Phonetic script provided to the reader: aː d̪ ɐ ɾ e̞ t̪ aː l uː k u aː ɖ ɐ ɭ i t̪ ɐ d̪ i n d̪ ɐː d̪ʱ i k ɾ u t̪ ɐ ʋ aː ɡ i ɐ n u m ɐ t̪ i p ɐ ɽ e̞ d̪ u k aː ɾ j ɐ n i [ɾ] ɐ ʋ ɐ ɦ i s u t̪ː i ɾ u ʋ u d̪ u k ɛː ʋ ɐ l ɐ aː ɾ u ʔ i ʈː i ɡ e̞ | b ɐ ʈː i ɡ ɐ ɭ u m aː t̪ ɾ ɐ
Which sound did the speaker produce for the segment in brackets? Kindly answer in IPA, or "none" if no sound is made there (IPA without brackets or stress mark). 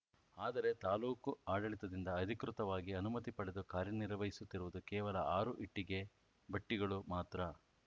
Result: ɾ